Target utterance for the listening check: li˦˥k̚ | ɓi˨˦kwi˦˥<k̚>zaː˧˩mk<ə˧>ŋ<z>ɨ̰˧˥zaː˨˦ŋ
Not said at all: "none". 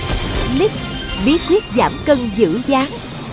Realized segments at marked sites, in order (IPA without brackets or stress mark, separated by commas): t̚, ə˧, z